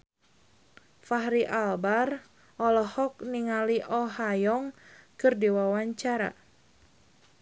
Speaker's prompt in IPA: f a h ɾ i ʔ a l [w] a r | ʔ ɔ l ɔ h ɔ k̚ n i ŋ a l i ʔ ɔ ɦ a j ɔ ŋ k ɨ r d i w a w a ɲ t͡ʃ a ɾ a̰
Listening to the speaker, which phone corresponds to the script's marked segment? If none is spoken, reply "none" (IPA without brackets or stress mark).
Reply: b